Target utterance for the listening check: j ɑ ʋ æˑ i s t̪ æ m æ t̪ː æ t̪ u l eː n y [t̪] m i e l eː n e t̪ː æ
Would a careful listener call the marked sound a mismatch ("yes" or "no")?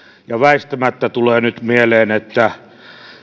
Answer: no